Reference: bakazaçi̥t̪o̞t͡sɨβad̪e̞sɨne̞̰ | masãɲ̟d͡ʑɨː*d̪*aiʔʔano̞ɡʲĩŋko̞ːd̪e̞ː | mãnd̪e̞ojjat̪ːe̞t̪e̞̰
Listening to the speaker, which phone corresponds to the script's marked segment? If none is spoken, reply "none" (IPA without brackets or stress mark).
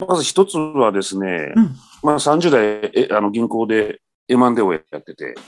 d̪